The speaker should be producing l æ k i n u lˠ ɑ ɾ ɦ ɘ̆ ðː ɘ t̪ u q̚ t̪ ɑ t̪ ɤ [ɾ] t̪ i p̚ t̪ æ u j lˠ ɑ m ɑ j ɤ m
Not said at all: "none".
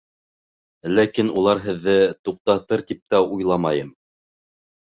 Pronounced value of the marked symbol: ɾ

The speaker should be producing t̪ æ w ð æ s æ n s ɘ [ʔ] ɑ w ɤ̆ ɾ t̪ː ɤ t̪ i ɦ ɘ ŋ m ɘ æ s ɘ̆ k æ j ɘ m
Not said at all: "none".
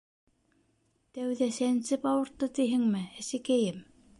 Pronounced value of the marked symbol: p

